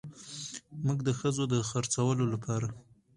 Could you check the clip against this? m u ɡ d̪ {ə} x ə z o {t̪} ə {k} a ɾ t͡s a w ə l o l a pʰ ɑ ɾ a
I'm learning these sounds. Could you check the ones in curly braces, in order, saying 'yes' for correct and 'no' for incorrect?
yes, no, no

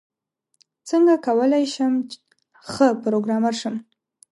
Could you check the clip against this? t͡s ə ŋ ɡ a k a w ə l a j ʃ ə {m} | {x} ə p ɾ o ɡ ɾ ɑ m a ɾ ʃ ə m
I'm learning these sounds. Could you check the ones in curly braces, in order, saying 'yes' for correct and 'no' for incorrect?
yes, yes

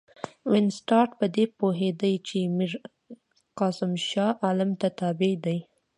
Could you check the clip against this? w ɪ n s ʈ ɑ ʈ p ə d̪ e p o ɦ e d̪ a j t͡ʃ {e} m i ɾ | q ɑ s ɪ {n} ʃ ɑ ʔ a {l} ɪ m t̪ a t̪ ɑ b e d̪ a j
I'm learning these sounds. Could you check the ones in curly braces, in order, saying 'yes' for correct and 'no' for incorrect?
yes, no, yes

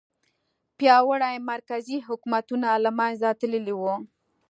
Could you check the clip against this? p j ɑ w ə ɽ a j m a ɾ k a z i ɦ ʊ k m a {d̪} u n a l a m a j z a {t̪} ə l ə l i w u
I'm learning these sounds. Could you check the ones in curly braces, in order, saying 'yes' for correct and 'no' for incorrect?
no, yes

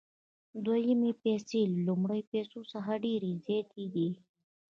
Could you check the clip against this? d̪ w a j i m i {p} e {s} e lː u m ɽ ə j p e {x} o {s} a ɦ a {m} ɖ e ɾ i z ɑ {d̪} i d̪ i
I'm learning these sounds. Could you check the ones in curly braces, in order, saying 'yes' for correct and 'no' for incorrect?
yes, yes, no, yes, no, no

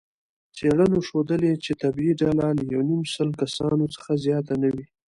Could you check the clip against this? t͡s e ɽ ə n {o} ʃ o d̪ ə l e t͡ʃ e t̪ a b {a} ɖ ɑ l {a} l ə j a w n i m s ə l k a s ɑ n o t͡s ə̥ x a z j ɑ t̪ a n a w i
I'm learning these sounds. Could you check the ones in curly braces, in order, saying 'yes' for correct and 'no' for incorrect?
yes, no, yes

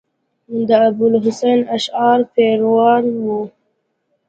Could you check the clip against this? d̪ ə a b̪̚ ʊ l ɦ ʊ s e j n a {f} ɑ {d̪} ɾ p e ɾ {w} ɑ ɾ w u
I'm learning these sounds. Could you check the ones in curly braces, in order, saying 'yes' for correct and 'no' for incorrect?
no, no, yes

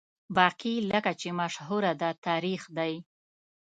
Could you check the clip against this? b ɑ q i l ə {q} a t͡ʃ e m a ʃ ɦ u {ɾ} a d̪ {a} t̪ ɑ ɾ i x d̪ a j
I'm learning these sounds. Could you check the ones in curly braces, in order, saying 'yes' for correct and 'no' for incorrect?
no, yes, yes

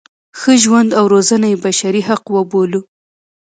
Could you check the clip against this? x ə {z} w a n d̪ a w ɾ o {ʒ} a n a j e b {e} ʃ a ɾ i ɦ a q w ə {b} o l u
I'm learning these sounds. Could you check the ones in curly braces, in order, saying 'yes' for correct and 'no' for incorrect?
no, no, no, yes

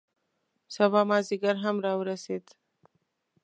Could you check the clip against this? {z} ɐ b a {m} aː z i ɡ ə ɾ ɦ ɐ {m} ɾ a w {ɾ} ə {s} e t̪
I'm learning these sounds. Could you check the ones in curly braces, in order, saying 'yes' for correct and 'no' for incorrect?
no, yes, yes, yes, yes

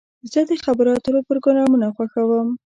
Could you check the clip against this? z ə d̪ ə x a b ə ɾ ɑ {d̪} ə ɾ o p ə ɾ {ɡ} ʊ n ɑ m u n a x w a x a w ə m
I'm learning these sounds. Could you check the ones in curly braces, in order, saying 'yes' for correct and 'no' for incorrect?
no, yes

